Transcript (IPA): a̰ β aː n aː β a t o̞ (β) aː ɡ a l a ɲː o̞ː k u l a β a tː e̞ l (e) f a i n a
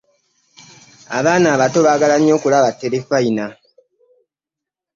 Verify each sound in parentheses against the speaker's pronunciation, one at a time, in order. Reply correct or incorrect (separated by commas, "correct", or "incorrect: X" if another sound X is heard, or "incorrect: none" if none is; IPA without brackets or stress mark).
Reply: correct, correct